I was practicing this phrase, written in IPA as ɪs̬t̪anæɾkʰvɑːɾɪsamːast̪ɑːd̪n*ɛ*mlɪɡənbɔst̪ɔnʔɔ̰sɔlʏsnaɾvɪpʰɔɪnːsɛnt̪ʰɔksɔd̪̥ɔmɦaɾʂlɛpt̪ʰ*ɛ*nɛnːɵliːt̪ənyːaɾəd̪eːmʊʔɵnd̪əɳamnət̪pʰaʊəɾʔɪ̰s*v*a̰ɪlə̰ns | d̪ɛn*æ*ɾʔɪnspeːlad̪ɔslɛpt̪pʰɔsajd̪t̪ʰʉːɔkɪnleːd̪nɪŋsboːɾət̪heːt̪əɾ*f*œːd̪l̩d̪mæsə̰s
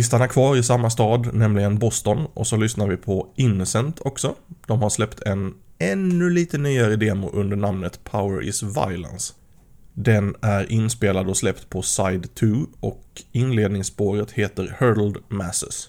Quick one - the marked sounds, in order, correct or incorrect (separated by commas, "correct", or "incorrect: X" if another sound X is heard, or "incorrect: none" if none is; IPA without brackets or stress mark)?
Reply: correct, correct, correct, correct, incorrect: h